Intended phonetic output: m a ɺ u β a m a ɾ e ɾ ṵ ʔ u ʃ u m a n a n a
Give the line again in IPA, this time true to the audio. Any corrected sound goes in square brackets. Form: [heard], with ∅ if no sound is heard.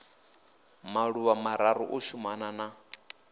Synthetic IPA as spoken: m a ɺ u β a m a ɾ [a] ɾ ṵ ʔ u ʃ u m a n a n a

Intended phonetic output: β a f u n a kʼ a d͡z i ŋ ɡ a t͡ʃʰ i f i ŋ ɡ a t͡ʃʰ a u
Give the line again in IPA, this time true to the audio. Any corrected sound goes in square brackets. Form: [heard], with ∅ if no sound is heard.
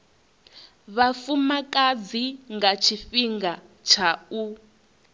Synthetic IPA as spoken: β a f u [m] a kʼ a d͡z i ŋ ɡ a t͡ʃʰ i f i ŋ ɡ a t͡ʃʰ a u

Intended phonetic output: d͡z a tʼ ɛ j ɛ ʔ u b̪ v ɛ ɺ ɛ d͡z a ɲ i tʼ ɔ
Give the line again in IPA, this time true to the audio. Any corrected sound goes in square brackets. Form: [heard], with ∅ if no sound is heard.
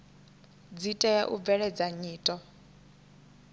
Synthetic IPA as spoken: d͡z [i] tʼ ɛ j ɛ ʔ u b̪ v ɛ ɺ ɛ d͡z a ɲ [iː] tʼ ɔ

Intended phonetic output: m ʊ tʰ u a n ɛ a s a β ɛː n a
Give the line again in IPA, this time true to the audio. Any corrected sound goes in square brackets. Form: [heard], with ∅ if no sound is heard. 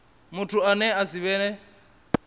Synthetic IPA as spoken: m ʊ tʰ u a n ɛ a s [i] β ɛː n [ɛ]

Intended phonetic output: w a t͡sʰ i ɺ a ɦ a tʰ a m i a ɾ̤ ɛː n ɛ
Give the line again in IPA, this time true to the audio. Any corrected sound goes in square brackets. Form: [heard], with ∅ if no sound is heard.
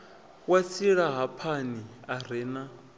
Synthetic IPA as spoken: w a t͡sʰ i ɺ a ɦ a [pʰ] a [n] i a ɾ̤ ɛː n [a]

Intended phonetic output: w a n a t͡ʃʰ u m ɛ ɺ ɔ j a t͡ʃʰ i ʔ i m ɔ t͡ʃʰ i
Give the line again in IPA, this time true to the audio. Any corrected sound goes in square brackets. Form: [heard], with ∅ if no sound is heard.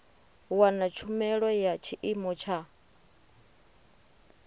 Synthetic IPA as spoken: w a n a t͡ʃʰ u m ɛ ɺ ɔ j a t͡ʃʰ i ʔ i m ɔ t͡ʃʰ [a]

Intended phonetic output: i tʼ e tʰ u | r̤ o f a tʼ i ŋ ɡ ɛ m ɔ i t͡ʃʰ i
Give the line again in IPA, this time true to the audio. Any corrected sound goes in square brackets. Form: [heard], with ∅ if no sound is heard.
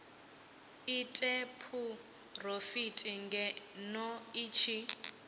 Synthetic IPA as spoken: i tʼ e [pʰ] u | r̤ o f [i] tʼ i ŋ ɡ ɛ [n] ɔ i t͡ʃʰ i

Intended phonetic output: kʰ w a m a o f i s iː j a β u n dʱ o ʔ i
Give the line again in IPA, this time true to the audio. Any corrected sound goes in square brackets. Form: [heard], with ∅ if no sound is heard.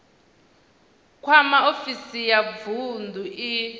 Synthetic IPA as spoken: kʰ w a m a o f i s [i] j a [v] u n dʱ [u] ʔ i

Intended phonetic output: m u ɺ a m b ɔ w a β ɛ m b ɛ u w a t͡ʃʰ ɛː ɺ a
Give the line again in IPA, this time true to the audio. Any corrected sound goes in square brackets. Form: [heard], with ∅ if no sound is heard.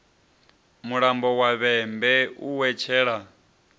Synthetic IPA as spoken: m u ɺ a m b ɔ w a β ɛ m b ɛ u w [ɛ] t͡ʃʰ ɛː ɺ a

